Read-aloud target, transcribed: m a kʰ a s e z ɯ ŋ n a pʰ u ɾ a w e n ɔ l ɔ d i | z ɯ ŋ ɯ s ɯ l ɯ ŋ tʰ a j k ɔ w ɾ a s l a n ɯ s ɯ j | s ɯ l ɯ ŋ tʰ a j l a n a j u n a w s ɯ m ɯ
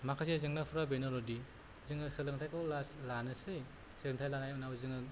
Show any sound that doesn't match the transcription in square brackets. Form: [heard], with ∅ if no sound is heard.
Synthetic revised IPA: m a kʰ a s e z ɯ ŋ n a pʰ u ɾ a [b] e n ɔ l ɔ d i | z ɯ ŋ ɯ s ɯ l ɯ ŋ tʰ a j k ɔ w [l] a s l a n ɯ s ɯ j | s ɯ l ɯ ŋ tʰ a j l a n a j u n a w [z] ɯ [ŋ] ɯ